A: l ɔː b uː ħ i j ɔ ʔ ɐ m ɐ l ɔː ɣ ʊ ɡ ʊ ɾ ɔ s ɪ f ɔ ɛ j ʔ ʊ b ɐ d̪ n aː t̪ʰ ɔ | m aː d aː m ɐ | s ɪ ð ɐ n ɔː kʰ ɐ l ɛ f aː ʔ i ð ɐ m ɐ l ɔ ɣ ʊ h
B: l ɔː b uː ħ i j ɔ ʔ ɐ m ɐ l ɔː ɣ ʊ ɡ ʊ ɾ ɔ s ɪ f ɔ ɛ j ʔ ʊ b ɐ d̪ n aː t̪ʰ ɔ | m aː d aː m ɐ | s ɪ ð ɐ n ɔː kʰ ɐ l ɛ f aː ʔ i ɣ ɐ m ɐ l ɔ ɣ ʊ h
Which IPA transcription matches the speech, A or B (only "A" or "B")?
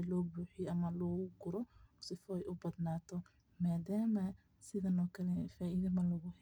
A